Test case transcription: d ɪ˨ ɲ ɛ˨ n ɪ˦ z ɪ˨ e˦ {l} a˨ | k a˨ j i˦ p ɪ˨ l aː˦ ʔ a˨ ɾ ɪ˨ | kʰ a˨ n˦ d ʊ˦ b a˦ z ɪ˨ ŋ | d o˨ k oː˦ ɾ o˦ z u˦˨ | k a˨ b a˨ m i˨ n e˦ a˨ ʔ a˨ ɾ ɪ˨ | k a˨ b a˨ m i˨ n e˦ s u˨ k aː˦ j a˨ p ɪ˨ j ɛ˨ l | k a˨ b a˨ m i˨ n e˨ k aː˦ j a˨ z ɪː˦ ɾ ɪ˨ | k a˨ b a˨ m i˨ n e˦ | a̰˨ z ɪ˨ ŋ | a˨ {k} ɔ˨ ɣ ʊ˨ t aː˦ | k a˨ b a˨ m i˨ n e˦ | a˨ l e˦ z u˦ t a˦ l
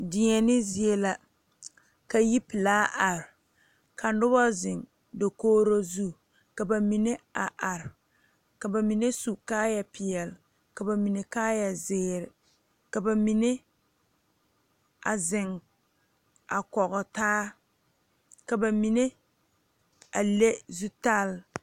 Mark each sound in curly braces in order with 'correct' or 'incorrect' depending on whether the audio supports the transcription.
correct, correct

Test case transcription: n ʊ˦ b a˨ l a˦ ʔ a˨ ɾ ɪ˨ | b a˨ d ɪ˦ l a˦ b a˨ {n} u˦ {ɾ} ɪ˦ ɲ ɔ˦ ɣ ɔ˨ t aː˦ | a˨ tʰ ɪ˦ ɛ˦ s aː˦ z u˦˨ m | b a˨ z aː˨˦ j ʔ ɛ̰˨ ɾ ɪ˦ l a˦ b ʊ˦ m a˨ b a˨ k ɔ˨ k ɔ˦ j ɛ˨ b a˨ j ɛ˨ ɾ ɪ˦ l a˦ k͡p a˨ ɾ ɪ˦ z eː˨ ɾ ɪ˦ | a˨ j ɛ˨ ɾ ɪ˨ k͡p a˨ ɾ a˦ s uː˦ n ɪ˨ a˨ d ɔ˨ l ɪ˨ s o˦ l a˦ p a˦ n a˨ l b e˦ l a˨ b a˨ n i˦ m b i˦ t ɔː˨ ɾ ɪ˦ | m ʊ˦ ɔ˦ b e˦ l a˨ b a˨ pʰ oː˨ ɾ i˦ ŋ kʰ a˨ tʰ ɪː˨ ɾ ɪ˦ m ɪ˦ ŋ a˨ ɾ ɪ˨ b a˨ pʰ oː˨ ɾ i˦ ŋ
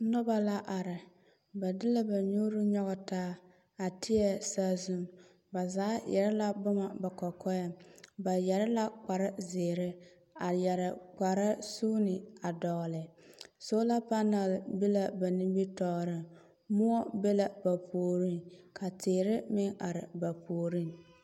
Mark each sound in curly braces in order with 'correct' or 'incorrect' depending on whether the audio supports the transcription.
incorrect, correct

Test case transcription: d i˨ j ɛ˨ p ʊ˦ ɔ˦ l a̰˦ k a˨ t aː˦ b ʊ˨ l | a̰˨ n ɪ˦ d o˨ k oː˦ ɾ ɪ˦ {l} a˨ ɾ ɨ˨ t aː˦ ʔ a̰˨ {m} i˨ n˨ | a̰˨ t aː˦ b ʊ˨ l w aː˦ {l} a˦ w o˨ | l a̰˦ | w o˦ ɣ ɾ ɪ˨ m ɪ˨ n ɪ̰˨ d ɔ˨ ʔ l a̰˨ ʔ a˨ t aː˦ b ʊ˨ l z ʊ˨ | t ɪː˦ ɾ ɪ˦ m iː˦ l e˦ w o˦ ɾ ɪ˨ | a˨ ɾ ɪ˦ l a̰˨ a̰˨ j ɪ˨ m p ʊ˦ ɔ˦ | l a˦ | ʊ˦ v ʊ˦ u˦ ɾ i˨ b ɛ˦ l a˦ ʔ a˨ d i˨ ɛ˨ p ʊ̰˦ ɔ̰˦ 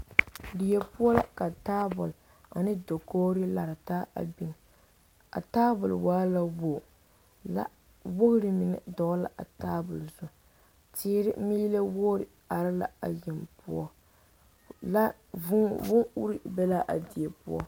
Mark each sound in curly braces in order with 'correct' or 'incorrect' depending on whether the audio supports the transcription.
correct, incorrect, correct

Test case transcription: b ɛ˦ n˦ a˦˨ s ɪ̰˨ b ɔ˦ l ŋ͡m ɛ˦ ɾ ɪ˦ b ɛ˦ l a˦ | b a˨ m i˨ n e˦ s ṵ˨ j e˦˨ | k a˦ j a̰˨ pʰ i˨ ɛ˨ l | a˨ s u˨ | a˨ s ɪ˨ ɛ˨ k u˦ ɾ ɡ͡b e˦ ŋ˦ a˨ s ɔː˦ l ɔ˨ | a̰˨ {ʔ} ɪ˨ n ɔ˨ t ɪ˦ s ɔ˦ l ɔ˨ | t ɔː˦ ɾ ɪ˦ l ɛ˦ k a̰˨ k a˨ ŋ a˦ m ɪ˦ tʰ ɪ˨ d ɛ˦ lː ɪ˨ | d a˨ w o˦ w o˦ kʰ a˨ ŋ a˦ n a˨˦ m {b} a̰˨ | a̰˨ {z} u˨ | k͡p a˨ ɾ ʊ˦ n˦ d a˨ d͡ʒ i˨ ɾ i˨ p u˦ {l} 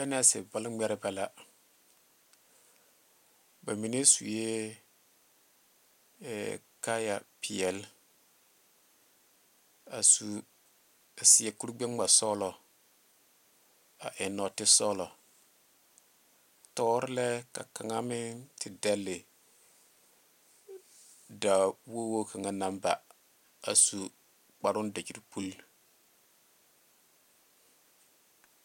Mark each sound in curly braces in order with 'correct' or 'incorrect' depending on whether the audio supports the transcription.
correct, correct, incorrect, correct

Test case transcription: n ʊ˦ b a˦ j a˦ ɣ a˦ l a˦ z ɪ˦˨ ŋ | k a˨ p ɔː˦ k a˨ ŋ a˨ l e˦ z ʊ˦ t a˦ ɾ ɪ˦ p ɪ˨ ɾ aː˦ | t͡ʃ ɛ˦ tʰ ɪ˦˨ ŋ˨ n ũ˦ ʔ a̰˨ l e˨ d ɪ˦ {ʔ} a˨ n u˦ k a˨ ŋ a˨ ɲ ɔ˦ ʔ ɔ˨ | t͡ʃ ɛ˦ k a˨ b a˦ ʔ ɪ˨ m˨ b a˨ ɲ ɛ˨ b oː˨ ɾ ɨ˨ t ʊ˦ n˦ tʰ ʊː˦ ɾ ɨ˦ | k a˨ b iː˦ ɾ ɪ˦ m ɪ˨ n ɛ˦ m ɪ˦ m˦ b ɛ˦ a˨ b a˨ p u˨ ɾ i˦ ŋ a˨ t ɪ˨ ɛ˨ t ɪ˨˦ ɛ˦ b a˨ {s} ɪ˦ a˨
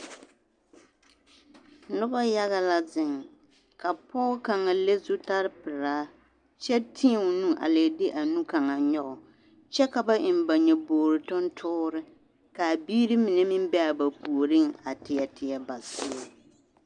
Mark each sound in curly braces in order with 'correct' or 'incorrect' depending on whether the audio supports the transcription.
correct, correct

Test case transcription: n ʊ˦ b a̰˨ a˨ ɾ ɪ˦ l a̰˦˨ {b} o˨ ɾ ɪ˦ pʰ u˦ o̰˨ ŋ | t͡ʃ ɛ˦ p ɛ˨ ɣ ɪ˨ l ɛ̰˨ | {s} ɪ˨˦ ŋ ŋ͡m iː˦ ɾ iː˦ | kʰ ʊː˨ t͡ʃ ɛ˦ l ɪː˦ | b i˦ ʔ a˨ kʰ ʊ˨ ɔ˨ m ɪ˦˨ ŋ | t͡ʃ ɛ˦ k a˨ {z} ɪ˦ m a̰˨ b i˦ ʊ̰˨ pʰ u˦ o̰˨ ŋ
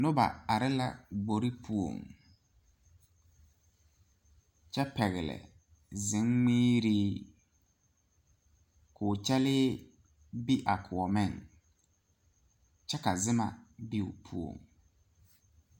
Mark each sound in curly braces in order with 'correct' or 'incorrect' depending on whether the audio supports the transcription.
incorrect, incorrect, correct

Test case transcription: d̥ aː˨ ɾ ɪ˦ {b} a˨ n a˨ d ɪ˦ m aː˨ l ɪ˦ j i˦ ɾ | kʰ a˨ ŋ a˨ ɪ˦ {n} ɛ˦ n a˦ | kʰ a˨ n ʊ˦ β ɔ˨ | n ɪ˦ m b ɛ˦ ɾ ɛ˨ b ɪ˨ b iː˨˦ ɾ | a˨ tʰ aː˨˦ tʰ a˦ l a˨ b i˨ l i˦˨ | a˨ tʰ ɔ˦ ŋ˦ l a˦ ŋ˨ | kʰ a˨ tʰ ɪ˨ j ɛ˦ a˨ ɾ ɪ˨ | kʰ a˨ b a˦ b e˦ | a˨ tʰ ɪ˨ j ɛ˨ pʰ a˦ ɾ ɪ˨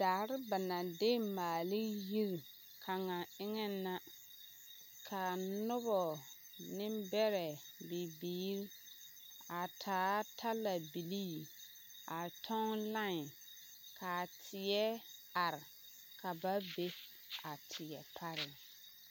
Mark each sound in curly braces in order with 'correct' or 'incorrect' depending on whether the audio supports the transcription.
correct, incorrect

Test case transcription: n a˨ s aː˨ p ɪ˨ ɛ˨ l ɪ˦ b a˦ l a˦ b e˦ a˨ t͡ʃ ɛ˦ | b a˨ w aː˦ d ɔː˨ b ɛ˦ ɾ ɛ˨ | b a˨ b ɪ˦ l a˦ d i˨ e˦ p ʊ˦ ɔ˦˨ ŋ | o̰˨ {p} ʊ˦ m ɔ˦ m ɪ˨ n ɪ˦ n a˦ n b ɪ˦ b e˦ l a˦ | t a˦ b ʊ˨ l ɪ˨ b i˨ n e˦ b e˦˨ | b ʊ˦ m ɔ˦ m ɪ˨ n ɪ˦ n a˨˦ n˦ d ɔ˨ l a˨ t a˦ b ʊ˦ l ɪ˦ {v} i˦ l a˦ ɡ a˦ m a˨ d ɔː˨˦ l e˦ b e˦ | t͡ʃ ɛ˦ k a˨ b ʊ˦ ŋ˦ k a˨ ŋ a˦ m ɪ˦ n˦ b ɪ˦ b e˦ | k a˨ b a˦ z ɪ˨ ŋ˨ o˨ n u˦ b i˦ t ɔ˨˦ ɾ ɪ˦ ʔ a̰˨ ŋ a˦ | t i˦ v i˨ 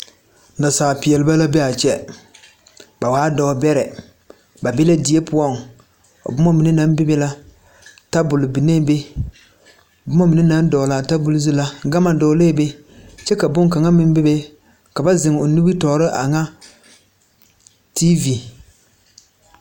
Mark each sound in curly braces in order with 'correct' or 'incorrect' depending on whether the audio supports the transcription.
incorrect, incorrect

